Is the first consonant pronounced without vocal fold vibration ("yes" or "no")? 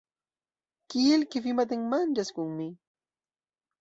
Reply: yes